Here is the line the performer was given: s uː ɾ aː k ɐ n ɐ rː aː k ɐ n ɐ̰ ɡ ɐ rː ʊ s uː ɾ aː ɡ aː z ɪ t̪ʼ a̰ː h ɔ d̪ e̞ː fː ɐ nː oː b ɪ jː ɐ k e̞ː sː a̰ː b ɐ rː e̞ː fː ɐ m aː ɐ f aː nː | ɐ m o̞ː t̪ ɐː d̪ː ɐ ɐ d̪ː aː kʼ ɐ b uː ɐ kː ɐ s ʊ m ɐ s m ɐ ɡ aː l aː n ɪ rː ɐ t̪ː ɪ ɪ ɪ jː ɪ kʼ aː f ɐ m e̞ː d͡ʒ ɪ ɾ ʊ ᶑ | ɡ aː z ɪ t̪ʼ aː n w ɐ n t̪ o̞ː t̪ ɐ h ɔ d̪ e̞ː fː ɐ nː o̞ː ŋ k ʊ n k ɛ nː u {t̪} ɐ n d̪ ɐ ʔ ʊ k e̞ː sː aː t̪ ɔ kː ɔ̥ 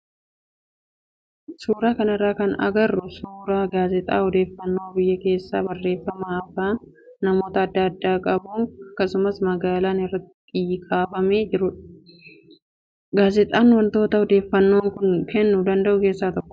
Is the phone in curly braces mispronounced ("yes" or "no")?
yes